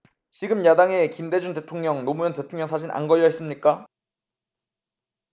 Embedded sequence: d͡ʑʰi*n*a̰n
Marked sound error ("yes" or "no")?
no